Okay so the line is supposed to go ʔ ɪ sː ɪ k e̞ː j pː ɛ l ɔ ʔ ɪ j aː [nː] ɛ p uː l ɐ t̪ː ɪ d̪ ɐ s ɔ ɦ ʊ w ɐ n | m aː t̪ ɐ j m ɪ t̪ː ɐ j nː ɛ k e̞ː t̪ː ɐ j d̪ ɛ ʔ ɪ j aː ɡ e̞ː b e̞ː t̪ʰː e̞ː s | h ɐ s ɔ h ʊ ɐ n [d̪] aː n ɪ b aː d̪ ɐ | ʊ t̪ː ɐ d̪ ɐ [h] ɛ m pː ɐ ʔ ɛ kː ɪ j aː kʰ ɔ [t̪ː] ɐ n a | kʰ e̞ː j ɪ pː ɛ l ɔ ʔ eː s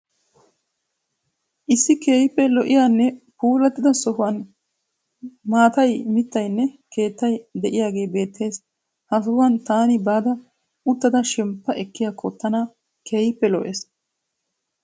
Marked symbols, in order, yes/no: yes, no, no, yes

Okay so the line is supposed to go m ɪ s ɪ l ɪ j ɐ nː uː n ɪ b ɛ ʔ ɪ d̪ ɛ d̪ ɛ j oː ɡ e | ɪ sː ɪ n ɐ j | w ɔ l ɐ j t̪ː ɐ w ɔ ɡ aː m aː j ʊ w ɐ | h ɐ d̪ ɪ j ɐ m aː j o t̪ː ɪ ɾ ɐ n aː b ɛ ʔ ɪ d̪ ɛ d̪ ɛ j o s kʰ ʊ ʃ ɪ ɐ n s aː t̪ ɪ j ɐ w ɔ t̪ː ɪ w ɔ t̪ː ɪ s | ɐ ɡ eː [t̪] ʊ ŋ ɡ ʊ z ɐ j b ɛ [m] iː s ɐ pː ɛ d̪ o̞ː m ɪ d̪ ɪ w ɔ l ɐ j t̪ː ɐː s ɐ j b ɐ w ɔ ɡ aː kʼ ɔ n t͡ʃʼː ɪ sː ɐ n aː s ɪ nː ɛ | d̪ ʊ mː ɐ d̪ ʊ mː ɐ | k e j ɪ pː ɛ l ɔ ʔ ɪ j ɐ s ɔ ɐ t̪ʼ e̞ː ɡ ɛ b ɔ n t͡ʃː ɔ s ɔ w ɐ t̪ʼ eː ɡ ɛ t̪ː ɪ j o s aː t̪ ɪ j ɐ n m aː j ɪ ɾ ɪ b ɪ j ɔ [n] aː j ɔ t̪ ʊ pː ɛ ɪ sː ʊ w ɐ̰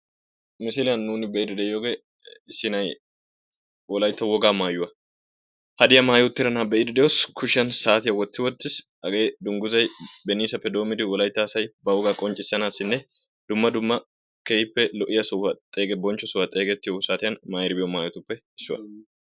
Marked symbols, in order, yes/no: no, no, no

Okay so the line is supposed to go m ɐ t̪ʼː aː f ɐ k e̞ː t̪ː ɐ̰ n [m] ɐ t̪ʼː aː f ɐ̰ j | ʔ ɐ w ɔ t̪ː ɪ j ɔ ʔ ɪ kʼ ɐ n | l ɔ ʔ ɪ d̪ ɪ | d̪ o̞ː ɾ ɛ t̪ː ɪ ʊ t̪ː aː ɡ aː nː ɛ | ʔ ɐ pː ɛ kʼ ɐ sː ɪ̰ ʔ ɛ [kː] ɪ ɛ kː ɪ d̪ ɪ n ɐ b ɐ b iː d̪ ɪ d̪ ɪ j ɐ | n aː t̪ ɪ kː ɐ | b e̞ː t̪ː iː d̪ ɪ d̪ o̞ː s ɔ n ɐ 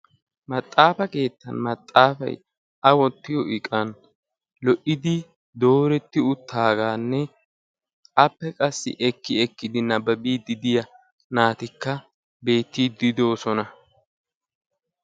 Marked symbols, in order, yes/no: yes, yes

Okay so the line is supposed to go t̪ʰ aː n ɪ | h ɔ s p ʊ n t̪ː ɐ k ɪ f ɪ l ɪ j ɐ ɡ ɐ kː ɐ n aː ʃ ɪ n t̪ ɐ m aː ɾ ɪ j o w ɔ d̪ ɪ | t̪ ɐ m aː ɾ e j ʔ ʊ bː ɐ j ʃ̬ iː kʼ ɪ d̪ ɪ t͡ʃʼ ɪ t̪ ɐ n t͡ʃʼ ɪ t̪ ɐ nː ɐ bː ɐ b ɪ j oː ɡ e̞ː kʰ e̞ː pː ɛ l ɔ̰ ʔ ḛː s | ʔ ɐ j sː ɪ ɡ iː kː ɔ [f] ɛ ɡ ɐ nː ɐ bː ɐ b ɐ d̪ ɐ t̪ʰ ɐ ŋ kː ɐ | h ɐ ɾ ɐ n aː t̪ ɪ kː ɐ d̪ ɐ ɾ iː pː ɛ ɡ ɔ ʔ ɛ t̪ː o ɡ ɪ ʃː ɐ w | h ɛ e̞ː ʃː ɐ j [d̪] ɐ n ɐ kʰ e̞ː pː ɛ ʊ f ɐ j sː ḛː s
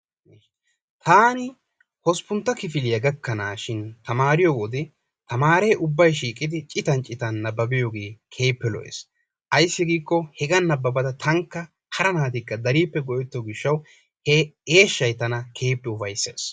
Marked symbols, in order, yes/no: no, no

